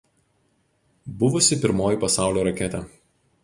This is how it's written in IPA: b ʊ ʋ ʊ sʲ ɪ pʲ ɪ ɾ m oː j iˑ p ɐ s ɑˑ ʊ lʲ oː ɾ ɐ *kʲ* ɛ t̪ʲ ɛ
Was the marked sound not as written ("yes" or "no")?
no